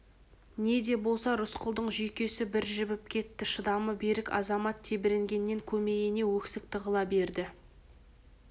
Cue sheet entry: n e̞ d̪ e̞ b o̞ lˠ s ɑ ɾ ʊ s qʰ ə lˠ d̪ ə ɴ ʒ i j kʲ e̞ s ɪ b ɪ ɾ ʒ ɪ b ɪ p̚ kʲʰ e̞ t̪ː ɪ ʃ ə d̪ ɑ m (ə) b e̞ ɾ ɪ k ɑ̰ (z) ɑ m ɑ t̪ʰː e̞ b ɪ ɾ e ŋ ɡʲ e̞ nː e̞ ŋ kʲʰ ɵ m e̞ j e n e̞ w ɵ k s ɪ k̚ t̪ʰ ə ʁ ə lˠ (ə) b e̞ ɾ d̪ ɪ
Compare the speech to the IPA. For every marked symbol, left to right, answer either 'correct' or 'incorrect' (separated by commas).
correct, correct, incorrect